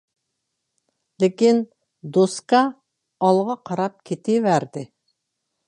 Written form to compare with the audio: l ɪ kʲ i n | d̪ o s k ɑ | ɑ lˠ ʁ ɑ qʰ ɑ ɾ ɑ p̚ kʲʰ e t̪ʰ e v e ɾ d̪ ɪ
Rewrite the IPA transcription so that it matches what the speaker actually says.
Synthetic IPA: l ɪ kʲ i n | d̪ o s k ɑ | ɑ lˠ ʁ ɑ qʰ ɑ ɾ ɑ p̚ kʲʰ e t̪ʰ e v æ ɾ d̪ ɪ

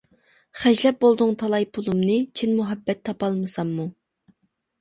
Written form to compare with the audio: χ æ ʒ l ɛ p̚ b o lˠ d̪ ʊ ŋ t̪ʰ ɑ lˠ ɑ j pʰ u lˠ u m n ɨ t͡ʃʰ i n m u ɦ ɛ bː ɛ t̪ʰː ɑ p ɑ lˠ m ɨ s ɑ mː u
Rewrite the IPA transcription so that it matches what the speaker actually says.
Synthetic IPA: χ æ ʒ l ɛ p̚ b o lˠ d̪ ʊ ŋ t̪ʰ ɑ lˠ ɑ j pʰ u lˠ u m n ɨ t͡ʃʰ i n m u ɦ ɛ bː ɛ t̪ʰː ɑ p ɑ lˠ m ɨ s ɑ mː u

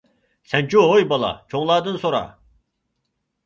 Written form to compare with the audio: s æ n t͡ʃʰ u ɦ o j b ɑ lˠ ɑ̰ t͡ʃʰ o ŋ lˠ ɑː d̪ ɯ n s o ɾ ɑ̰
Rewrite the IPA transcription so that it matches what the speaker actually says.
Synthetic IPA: s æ n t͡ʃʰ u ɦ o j b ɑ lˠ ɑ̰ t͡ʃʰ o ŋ lˠ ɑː d̪ ɯ n s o ɾ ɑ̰

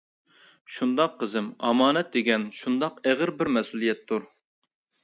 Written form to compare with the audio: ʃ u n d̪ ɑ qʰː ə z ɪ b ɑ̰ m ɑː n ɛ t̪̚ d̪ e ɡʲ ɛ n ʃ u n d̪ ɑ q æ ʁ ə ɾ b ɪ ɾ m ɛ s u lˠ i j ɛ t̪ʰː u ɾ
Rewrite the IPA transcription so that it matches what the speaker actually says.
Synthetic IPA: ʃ u n d̪ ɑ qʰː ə z ɪ m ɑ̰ m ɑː n ɛ t̪̚ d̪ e ɡʲ ɛ n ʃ u n d̪ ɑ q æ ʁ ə ɾ b ɪ ɾ m ɛ s u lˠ i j ɛ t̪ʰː u ɾ

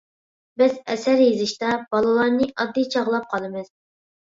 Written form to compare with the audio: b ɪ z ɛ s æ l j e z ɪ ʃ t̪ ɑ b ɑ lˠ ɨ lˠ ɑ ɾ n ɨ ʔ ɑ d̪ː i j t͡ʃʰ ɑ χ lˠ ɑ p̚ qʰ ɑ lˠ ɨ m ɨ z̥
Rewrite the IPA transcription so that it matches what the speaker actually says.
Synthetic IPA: b ɪ z ɛ s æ ɾ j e z ɪ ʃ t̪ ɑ b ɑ lˠ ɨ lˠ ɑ ɾ n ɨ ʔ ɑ d̪ː i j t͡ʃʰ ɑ ʁ lˠ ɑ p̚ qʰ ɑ lˠ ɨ m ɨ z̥

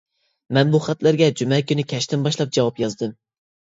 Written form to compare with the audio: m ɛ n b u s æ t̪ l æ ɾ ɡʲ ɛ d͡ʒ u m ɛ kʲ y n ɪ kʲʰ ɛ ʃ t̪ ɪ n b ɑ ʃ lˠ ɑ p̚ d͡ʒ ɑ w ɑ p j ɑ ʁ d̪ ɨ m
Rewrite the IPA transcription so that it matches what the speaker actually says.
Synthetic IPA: m ɛ n b u χ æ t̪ l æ ɾ ɡʲ ɛ d͡ʒ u m ɛ kʲ y n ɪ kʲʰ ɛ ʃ t̪ ɪ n b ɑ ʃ lˠ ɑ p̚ d͡ʒ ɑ w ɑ p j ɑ z d̪ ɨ m

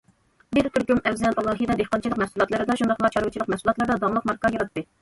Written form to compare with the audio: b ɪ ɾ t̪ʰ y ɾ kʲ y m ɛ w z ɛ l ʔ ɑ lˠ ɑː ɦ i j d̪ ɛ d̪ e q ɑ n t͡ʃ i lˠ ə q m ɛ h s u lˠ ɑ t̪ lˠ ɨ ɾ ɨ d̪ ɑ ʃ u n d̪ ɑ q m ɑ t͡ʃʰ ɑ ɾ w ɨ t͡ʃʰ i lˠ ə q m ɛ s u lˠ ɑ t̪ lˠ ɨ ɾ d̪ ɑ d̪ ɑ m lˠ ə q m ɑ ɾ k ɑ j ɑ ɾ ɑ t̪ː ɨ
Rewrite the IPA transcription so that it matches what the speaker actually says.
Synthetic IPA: b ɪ ɾ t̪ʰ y ɾ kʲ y m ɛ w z ɛ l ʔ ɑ lˠ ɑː ɦ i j d̪ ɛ d̪ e q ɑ n t͡ʃ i lˠ ə q m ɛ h s u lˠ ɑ t̪ lˠ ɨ ɾ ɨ d̪ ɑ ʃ u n d̪ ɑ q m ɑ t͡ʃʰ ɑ ɾ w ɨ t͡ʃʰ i lˠ ə q m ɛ s u lˠ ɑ t̪ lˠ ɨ ɾ d̪ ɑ d̪ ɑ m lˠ ə q m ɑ ɾ k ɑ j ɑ ɾ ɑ t̪ː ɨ

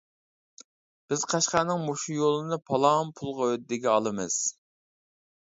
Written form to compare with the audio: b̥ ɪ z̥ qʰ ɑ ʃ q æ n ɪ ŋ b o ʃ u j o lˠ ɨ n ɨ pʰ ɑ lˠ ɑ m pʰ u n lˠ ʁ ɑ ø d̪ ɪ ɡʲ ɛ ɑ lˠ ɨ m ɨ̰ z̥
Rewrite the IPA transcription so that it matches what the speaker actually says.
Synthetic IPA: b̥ ɪ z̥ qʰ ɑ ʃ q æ n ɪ ŋ m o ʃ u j o lˠ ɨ n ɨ pʰ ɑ lˠ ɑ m pʰ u lˠ ʁ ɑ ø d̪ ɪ ɡʲ ɛ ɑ lˠ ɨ m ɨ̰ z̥

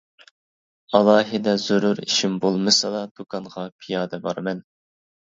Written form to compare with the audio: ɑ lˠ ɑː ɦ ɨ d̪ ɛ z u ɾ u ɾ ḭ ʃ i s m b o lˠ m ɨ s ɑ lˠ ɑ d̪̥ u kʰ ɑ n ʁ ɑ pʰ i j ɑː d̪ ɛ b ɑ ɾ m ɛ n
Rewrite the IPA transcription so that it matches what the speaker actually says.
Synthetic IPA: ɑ lˠ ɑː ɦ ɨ d̪ ɛ z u ɾ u ɾ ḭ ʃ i m b o lˠ m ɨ s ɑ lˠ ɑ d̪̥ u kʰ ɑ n ʁ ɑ pʰ i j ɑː d̪ ɛ b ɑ ɾ m ɛ n

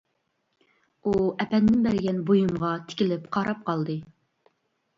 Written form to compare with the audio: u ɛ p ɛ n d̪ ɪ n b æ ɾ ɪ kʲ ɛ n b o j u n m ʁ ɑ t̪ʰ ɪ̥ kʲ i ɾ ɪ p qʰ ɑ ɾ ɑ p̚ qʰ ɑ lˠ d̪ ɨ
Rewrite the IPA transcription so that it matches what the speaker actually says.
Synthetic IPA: u ɛ p ɛ n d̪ ɪ n b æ ɾ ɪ ɡʲ ɛ n b o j u m ʁ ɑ t̪ʰ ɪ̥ kʲ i l ɪ p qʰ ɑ ɾ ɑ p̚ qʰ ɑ lˠ d̪ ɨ

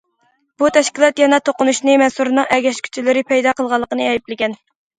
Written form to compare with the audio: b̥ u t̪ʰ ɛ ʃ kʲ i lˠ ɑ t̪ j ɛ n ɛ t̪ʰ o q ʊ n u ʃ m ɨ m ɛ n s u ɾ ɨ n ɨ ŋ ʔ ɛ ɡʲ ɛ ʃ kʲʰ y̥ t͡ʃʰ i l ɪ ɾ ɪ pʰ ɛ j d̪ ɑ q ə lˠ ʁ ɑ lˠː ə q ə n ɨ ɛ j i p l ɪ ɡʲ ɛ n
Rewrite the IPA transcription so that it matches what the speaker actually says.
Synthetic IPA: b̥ u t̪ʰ ɛ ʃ kʲ i lˠ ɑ t̪ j ɛ n ɛ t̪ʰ o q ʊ n u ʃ n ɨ m ɛ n s u ɾ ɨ n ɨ ŋ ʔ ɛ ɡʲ ɛ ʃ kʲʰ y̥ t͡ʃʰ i l ɪ ɾ ɪ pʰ ɛ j d̪ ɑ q ə lˠ ʁ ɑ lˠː ə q ə n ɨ ɛ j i p l ɪ ɡʲ ɛ n

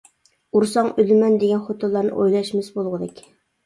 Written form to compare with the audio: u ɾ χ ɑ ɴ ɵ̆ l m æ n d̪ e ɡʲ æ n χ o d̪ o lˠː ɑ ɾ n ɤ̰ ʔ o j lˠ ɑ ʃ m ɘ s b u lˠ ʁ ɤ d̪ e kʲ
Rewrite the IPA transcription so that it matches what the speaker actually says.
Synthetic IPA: u ɾ s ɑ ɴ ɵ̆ l m æ n d̪ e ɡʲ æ n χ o t̪ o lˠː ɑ ɾ n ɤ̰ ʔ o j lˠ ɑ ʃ m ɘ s b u lˠ ʁ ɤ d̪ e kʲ

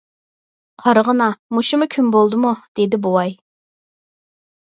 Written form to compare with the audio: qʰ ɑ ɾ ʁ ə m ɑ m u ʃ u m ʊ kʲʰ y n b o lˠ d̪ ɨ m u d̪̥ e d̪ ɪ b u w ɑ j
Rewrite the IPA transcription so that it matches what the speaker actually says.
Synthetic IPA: qʰ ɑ ɾ ʁ ə n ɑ m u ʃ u m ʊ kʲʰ y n b o lˠ d̪ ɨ m u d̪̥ e d̪ ɪ b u w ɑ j

